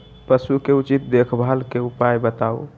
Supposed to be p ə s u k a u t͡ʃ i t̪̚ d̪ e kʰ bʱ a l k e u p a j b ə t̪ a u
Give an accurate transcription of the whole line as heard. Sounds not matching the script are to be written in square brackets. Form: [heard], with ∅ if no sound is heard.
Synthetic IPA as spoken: p ə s u k [e] u t͡ʃ i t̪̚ d̪ e kʰ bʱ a l k e u p a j b ə t̪ a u